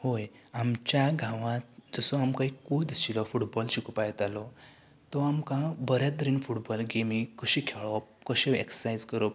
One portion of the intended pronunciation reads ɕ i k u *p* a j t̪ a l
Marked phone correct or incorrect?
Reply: correct